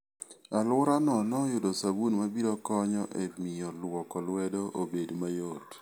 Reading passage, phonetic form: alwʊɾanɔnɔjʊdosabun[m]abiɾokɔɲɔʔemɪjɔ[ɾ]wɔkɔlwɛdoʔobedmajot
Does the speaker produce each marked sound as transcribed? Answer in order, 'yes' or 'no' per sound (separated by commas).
yes, no